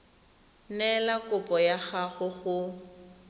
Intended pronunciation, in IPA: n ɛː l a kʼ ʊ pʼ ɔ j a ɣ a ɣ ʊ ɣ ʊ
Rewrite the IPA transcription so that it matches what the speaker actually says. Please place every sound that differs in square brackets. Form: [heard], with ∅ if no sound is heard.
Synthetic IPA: n [ɛ] l a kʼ ʊ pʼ ɔ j a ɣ a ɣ ʊ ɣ ʊ